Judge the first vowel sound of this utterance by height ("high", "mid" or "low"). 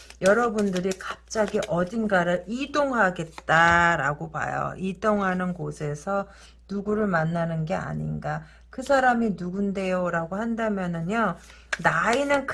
mid